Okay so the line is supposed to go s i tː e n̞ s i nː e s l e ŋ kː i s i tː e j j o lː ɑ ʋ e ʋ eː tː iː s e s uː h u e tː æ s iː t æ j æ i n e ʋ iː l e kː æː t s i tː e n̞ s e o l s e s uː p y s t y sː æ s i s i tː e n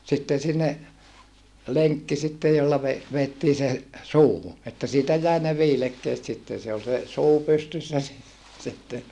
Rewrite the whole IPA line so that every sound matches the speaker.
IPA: s i tː e n̞ s i nː e l e ŋ kː i s i tː e j j o lː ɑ ʋ e ʋ eː tː iː s e s uː h u e tː æ s iː t æ j æ i n e ʋ iː l e kː eː t s i tː e n̞ s e o l s e s uː p y s t y sː æ s i s i tː e n